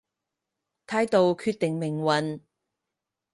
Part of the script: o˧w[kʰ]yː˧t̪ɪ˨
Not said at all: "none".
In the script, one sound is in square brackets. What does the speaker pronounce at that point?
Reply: kʰ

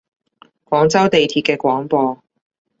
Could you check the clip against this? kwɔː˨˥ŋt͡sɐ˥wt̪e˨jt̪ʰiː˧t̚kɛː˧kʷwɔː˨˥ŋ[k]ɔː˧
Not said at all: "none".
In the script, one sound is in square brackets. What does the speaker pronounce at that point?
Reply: p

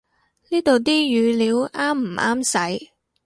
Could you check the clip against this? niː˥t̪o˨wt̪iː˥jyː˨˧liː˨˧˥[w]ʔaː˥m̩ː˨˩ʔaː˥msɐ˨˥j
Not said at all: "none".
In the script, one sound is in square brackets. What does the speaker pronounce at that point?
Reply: w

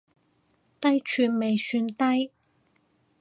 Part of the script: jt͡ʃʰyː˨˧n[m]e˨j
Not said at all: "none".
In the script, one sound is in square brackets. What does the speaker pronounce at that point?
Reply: m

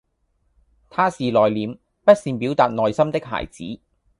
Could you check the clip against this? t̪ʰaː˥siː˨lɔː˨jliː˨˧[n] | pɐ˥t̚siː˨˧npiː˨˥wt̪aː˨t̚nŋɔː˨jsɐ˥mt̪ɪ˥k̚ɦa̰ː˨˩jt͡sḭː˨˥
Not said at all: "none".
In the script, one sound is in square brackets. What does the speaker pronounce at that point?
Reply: m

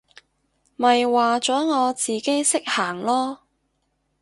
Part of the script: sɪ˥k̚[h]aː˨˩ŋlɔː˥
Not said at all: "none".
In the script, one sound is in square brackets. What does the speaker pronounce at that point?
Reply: h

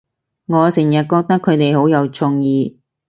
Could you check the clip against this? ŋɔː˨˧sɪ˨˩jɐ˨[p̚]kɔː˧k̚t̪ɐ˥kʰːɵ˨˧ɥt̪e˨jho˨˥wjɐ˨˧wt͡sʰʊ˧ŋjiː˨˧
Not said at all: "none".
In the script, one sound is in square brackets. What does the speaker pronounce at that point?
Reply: t̚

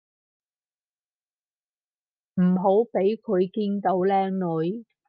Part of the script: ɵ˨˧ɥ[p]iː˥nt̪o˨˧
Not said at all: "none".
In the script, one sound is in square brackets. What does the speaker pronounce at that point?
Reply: k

